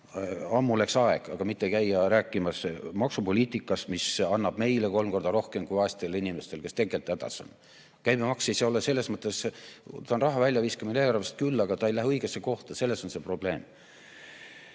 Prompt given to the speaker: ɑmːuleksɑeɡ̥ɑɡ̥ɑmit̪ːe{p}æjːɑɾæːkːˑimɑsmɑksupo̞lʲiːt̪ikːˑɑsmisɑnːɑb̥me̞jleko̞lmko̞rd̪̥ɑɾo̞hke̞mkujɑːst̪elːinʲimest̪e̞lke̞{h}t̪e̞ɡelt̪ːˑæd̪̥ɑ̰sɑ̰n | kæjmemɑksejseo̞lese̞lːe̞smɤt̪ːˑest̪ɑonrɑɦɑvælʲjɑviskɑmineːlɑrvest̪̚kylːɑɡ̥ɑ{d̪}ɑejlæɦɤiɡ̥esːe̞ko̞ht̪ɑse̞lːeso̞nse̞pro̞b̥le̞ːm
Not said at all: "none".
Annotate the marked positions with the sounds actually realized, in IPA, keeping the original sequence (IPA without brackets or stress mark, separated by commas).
k, s, t̪